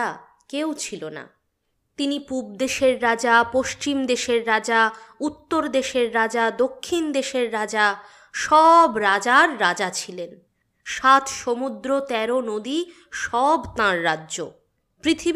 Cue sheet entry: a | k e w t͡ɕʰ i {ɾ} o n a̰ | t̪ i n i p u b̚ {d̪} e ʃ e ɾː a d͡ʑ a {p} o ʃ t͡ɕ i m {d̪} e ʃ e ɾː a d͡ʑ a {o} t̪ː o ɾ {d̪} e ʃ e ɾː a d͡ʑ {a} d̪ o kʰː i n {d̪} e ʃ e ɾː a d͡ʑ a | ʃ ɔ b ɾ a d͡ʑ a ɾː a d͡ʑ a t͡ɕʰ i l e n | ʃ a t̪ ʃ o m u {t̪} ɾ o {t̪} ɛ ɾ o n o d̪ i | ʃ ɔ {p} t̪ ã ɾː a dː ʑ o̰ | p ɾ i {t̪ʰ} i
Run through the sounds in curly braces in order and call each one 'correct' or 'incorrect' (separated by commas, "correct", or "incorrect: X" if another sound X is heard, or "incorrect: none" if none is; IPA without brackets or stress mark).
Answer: incorrect: l, correct, correct, correct, incorrect: u, correct, correct, correct, incorrect: d̪, correct, incorrect: b, correct